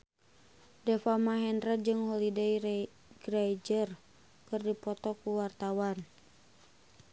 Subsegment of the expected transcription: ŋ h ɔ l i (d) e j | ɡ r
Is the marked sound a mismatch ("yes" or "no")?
no